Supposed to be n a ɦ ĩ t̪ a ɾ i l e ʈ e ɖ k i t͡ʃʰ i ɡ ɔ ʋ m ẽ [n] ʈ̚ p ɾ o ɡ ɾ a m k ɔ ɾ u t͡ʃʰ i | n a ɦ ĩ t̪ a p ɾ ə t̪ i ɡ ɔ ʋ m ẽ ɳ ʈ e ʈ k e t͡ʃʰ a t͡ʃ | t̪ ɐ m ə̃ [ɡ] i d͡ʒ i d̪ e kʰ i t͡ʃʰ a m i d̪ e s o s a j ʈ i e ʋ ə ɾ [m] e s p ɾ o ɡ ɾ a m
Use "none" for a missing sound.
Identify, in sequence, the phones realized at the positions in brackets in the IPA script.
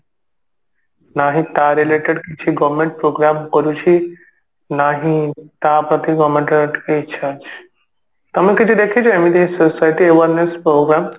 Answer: ɳ, k, n

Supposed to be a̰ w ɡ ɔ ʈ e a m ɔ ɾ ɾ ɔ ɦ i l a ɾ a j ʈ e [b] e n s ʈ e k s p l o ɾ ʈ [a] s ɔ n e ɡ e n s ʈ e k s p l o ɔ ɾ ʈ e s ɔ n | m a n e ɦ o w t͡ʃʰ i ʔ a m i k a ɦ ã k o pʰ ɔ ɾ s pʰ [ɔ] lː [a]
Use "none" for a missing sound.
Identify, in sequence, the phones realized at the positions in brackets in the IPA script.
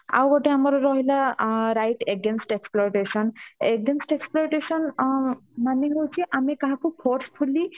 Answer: ɡ, e, u, i

